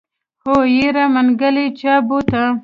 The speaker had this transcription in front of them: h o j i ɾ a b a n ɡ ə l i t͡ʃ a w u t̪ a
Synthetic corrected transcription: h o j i ɾ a m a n ɡ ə l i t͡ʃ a b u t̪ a